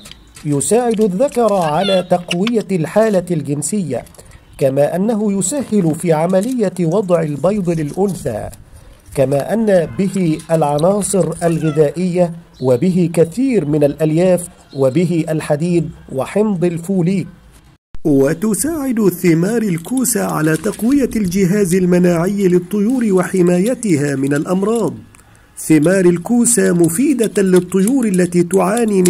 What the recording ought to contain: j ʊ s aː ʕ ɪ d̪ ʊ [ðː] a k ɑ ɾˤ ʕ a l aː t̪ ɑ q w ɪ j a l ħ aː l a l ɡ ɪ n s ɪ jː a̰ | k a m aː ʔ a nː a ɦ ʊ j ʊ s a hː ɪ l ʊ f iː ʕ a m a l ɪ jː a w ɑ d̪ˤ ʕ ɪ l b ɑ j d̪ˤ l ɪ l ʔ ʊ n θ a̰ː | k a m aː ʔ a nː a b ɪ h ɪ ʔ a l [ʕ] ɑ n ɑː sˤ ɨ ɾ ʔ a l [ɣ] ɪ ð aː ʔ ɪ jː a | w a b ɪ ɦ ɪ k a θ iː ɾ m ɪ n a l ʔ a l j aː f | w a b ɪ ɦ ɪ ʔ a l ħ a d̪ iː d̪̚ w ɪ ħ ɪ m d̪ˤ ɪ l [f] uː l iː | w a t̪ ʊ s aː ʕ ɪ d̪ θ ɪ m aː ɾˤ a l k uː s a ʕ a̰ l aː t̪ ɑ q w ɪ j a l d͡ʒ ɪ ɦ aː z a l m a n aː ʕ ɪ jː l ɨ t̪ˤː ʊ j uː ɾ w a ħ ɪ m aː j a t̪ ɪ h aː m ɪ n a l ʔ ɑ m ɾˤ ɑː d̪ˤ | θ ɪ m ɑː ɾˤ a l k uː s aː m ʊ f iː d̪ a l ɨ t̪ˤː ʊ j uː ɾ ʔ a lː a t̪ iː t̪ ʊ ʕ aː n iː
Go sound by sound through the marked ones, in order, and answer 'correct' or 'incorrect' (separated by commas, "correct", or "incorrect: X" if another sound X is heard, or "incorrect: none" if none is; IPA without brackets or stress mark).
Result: correct, correct, correct, correct